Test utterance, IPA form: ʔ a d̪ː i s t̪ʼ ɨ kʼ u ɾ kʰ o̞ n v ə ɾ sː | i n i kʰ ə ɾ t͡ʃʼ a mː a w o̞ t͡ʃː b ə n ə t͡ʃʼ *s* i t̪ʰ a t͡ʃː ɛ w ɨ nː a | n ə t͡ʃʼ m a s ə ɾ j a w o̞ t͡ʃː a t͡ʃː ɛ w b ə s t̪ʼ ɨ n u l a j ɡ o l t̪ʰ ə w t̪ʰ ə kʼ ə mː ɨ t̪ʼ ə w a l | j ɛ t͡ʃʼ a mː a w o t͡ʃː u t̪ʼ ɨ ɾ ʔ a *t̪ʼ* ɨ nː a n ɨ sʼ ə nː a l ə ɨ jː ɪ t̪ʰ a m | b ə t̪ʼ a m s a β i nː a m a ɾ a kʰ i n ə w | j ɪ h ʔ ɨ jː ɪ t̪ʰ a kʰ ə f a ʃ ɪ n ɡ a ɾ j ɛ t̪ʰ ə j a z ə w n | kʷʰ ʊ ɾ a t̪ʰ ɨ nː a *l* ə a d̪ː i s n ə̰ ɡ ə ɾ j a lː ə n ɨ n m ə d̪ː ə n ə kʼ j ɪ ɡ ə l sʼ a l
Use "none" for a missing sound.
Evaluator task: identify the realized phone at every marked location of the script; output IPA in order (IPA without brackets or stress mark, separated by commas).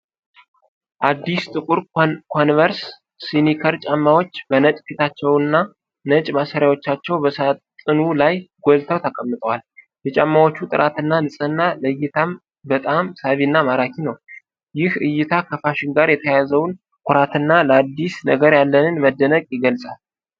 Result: f, t̪, l